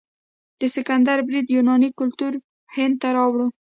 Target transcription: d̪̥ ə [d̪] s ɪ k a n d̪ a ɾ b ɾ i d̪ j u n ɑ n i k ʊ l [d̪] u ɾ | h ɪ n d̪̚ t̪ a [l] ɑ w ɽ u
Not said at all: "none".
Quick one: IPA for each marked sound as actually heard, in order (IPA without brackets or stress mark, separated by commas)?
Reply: none, t̪, ɾ